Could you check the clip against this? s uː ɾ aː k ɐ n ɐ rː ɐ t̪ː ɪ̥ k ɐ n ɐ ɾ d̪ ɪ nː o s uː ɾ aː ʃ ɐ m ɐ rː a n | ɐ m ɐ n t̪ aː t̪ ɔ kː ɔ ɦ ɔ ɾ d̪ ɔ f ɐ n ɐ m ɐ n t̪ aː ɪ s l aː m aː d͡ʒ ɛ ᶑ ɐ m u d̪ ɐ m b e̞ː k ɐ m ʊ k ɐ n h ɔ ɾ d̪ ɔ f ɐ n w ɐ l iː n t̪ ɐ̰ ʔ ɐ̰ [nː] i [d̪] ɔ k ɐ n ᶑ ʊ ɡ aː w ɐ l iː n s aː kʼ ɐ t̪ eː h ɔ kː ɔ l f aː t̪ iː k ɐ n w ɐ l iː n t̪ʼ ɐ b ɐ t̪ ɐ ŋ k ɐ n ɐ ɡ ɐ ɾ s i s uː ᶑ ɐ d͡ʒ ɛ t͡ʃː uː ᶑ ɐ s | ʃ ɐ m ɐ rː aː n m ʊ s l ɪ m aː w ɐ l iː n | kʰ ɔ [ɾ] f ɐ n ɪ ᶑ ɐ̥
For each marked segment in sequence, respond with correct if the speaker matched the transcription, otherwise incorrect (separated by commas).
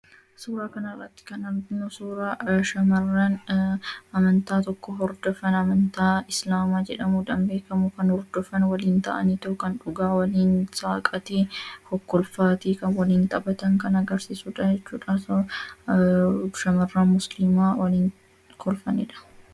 incorrect, incorrect, incorrect